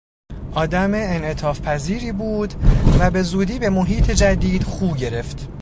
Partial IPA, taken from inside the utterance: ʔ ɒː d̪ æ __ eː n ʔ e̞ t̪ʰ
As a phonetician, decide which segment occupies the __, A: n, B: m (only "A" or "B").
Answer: B